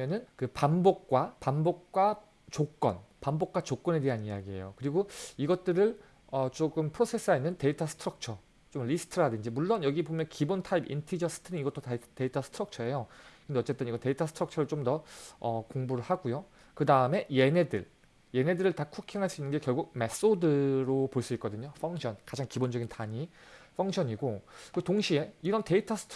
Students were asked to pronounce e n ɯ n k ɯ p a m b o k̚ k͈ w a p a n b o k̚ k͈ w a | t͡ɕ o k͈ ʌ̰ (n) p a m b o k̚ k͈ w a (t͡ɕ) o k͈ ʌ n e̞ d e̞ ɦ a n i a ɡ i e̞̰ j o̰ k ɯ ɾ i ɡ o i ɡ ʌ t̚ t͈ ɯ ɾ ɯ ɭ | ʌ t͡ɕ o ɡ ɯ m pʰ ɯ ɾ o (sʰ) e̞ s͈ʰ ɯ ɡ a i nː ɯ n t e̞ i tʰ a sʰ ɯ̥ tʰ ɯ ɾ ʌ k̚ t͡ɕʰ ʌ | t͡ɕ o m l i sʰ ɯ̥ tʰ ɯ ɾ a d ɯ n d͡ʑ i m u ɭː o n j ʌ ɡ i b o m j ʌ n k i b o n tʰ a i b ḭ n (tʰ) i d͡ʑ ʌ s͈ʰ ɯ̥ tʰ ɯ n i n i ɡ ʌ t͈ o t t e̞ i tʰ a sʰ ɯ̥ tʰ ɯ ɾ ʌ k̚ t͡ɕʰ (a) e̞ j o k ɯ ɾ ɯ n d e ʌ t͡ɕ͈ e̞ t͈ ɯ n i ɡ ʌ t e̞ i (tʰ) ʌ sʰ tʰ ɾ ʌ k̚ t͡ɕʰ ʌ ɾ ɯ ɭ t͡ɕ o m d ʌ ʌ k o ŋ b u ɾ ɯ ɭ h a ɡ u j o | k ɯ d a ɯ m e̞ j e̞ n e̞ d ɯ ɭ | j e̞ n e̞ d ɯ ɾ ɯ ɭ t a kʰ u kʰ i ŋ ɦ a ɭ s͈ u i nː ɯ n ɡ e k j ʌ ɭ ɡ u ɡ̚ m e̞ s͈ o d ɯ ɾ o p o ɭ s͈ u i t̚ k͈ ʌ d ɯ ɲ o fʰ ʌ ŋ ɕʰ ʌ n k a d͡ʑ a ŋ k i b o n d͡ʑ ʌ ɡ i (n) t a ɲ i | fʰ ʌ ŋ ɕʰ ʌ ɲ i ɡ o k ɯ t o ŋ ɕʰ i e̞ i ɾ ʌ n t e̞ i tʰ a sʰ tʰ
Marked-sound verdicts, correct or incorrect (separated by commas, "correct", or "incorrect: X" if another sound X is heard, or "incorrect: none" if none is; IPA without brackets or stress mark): correct, correct, correct, correct, incorrect: ʌ, correct, correct